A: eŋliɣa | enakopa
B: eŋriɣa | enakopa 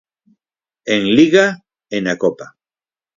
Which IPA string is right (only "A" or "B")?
A